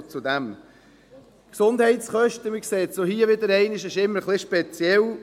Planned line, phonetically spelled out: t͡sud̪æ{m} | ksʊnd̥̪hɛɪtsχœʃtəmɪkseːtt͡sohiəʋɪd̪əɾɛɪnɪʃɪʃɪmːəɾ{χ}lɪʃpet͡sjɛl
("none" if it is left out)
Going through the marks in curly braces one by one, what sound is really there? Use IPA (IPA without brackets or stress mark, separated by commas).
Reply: m, χ